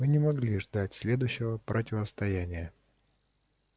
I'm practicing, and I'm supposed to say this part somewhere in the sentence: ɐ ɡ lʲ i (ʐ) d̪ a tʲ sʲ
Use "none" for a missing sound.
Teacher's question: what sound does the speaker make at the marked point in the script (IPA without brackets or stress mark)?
ʐ